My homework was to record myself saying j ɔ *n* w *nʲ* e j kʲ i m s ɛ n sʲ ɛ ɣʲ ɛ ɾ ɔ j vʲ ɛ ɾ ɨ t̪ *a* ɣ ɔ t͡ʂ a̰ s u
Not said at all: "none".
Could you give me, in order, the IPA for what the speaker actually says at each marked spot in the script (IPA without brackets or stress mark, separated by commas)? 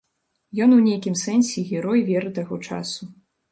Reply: n, nʲ, a